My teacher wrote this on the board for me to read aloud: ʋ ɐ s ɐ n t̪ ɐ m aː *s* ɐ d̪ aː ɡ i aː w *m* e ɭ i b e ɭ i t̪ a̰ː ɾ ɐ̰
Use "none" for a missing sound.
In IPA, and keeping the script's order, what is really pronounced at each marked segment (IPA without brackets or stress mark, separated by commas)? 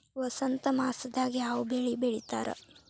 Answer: s, b